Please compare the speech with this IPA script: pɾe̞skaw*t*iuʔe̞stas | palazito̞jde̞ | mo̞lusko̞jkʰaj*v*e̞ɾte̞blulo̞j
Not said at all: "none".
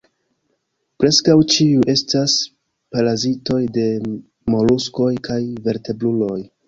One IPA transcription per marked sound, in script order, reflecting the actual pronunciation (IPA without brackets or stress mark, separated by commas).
t͡ʃ, v